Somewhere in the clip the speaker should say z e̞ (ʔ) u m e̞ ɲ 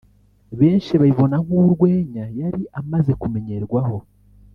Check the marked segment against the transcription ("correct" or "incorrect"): incorrect